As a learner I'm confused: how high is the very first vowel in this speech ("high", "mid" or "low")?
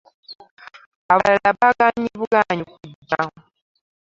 low